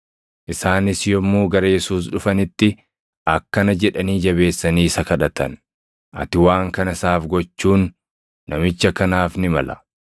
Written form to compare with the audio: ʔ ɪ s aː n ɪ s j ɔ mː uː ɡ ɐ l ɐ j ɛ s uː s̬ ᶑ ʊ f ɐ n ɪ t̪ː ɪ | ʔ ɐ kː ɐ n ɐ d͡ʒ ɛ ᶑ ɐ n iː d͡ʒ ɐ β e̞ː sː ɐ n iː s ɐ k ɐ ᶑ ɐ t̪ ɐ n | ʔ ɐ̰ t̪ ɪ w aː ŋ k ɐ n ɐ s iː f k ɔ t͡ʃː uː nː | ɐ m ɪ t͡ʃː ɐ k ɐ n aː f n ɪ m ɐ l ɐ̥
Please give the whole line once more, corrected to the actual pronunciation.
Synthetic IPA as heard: ʔ ɪ s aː n ɪ s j ɔ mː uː ɡ ɐ ɾ ɐ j ɛ s uː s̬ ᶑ ʊ f ɐ n ɪ t̪ː ɪ | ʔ ɐ kː ɐ n ɐ d͡ʒ ɛ ᶑ ɐ n iː d͡ʒ ɐ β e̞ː sː ɐ n iː s ɐ k ɐ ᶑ ɐ t̪ ɐ n | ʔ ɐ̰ t̪ ɪ w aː ŋ k ɐ n ɐ s aː f ɡ ɔ t͡ʃː uː nː | ɐ m ɪ t͡ʃː ɐ k ɐ n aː f n ɪ m ɐ l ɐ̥